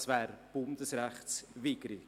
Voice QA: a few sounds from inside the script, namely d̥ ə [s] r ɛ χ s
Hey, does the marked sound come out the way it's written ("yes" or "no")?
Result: yes